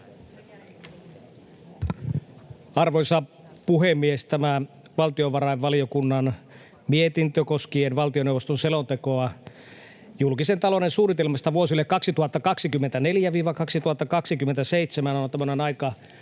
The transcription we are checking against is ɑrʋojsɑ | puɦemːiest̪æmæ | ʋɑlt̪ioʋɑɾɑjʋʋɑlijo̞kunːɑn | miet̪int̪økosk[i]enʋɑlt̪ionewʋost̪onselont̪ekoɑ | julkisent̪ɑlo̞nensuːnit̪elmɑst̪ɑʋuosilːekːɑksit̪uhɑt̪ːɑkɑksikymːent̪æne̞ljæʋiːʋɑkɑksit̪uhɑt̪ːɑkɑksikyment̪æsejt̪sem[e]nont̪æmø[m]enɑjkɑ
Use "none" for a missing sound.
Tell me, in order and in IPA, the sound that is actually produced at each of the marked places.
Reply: i, æ, n

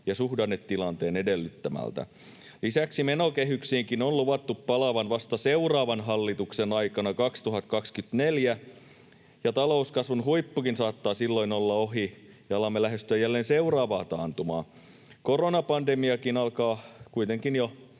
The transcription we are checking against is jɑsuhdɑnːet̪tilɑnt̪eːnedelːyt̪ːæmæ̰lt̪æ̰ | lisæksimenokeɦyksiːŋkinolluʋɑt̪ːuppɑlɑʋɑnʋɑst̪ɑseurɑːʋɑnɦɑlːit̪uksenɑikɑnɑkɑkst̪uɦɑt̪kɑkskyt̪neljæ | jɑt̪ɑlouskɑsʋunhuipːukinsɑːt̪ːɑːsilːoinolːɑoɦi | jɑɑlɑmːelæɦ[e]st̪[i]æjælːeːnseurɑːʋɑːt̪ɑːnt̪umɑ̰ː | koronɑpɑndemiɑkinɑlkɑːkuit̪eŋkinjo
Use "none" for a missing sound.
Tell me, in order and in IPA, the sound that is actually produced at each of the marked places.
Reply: e, y

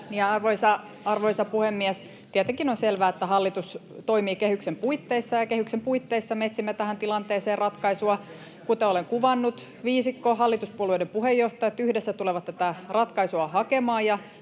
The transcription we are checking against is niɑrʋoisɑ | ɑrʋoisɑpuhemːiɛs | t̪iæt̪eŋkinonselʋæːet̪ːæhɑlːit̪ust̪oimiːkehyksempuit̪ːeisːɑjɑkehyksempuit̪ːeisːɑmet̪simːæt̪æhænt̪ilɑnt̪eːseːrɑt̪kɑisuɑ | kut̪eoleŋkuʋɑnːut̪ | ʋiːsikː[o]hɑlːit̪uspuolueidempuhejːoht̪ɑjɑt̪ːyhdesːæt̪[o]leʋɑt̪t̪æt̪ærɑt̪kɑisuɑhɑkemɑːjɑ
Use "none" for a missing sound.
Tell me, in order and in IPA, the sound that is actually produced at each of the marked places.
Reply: o, u

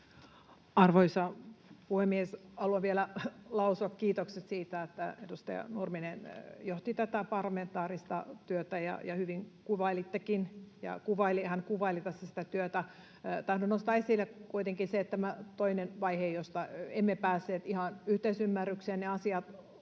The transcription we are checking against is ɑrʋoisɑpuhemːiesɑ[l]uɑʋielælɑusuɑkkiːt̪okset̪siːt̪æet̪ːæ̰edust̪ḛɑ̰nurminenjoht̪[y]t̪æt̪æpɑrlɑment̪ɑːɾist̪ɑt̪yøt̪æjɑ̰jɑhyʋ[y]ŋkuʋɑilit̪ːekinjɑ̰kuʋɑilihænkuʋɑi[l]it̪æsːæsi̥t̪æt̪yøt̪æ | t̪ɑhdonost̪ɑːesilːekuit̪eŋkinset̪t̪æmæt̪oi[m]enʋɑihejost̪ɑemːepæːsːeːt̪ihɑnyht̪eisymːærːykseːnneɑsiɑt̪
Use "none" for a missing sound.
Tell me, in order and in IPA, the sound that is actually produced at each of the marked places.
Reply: l, i, i, l, n

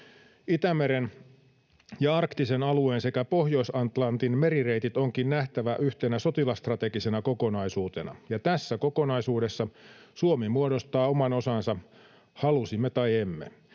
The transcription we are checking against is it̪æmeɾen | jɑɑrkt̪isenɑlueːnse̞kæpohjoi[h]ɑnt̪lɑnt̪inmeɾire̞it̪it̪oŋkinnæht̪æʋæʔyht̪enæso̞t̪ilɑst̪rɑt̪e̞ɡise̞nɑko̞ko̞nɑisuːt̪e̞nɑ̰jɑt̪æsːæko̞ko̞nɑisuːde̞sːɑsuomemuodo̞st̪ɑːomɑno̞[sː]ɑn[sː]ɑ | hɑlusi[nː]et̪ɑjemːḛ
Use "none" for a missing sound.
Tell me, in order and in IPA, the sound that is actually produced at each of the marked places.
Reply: s, s, s, mː

